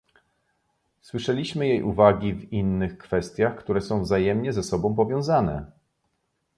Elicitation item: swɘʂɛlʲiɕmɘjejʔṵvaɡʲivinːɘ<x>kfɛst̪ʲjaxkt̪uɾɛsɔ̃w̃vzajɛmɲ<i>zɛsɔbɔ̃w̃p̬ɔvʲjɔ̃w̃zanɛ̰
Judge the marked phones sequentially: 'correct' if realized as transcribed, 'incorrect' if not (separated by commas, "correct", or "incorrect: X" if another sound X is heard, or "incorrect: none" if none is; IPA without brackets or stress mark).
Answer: correct, incorrect: ɛ